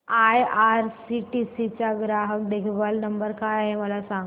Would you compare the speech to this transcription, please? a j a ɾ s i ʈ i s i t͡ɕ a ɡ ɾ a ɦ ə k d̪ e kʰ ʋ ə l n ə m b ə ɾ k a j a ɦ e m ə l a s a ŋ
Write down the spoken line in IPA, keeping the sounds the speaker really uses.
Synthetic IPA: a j a ɾ s i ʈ i s i t͡ɕ a ɡ ɾ a ɦ ə k d̪ e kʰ ʋ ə l n ə m b ə ɾ k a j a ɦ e m ə l a s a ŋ